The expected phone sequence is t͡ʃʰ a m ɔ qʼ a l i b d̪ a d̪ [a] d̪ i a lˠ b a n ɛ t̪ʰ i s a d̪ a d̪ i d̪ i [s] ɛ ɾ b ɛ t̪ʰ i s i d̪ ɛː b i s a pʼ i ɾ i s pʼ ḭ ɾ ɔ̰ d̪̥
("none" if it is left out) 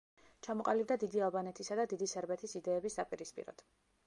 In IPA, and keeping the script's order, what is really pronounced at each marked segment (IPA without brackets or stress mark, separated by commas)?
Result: i, s